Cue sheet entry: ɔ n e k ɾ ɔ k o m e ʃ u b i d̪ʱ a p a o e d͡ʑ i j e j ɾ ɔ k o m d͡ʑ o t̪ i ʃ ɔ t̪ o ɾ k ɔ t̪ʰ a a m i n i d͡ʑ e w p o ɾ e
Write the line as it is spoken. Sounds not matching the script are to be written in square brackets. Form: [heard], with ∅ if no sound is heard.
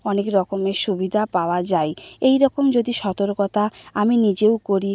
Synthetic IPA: ɔ n e k ɾ ɔ k o m e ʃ u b i d̪ʱ a p a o [a] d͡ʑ [a] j e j ɾ ɔ k o m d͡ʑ o [d̪] i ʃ ɔ t̪ o ɾ k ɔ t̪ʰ a a m i n i d͡ʑ e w [k] o ɾ [i]

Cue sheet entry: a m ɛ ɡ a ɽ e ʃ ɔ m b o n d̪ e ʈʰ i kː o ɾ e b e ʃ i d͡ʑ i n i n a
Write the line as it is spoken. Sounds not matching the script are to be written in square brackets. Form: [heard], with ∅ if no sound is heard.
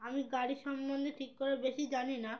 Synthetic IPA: a m [i] ɡ a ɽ [i] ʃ ɔ m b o n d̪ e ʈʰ i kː o ɾ e b e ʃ i d͡ʑ [a] n i n a

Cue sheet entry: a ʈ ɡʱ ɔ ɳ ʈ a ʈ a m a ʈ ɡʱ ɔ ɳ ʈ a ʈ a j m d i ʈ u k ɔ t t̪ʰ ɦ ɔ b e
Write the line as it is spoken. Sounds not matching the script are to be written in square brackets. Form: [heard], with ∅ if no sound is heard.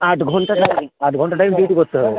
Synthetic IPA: a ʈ ɡʱ ɔ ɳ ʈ a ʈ a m a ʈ ɡʱ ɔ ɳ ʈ a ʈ a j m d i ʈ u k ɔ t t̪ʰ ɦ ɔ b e

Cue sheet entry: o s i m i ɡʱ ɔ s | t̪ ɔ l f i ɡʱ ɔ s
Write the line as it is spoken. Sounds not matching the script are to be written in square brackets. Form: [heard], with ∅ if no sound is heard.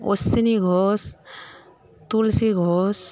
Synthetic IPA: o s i [n] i ɡʱ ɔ s | t̪ [u] l [s] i ɡʱ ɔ s

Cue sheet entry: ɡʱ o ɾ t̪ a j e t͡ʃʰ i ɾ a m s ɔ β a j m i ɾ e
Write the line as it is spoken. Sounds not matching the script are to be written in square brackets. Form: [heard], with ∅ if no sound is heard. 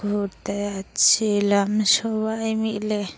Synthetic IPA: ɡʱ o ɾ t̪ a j [a] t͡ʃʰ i [l] a m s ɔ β a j m i [l] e

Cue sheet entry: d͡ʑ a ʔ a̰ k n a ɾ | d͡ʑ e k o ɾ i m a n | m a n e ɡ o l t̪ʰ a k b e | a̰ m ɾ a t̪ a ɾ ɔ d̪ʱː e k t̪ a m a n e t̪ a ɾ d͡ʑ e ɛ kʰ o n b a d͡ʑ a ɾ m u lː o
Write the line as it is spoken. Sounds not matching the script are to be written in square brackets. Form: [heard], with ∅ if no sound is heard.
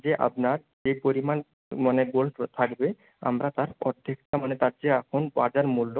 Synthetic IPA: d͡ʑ [e] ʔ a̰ [p] n a ɾ | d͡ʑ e [p] o ɾ i m a n | m a n e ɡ o l t̪ʰ a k b e | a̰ m ɾ a t̪ a ɾ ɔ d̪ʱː e k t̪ a m a n e t̪ a ɾ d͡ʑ e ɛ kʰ o n b a d͡ʑ a ɾ m u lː o

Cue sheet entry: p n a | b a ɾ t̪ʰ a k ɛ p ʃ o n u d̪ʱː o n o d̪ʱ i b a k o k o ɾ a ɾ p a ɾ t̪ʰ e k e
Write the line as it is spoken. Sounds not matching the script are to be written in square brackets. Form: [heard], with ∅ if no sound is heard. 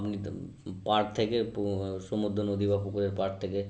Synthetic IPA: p n [i] | [p] a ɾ t̪ʰ [e] k [e] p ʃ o [m] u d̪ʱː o n o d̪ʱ i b a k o k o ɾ [e] ɾ p a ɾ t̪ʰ e k e

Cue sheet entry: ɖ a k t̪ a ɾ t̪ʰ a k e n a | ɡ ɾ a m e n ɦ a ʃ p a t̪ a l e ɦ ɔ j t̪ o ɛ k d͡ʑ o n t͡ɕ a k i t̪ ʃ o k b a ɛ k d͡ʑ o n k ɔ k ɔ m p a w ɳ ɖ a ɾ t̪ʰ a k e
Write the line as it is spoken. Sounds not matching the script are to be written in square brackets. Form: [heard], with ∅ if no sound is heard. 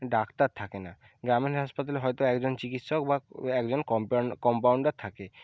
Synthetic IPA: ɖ a k t̪ a ɾ t̪ʰ a k e n a | ɡ ɾ a m e n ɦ a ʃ p a t̪ a l e ɦ ɔ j t̪ o ɛ k d͡ʑ o n t͡ɕ [i] k i t̪ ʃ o k b a ɛ k d͡ʑ o n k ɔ k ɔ m p a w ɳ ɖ a ɾ t̪ʰ a k e

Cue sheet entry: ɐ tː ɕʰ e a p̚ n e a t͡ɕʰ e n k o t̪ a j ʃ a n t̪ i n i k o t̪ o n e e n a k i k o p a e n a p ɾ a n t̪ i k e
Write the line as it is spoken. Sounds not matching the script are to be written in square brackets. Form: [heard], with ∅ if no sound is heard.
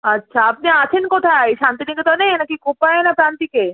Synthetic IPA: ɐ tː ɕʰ [a] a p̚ n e a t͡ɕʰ e n k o [t̪ʰ] a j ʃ a n t̪ i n i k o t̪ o n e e n a k i k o p a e n a p ɾ a n t̪ i k e

